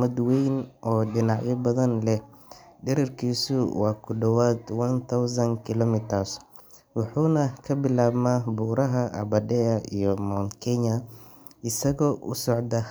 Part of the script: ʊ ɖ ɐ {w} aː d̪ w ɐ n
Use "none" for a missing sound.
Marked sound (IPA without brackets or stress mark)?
w